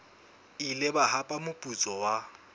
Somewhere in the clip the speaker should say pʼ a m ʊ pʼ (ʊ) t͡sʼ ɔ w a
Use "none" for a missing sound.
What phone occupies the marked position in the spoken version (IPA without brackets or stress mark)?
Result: u